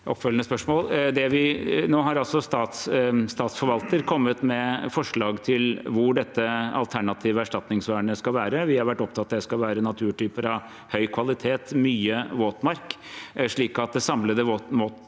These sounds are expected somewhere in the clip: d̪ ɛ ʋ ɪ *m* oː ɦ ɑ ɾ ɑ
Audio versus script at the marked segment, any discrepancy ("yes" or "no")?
yes